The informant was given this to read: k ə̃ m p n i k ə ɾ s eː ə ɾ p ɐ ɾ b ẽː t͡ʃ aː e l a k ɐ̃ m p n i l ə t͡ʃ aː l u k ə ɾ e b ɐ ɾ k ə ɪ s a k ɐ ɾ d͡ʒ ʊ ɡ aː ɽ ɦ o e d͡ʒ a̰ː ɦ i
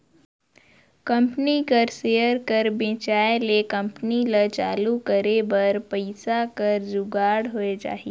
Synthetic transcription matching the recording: k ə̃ m p n i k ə ɾ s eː ə ɾ k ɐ ɾ b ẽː t͡ʃ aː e l e k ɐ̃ m p n i l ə t͡ʃ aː l u k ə ɾ e b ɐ ɾ p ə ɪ s a k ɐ ɾ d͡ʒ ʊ ɡ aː ɽ ɦ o e d͡ʒ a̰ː ɦ i